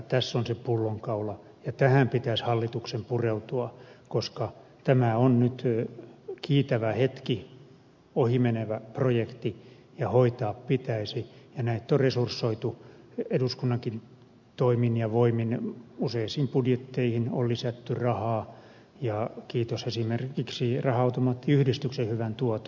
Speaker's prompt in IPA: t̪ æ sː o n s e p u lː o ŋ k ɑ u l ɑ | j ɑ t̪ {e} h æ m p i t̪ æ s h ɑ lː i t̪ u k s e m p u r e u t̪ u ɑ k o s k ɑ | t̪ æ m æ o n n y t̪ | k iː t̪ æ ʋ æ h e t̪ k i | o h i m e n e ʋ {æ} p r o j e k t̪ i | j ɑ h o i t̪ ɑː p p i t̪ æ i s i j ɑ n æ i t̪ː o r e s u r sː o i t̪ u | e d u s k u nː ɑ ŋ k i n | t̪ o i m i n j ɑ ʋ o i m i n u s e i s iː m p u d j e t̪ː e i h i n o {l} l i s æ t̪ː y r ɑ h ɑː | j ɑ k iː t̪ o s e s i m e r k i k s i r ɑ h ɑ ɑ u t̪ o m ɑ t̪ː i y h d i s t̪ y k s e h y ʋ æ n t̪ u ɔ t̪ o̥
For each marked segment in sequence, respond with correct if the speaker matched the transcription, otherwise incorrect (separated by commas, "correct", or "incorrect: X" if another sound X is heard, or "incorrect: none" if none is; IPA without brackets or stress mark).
incorrect: æ, correct, correct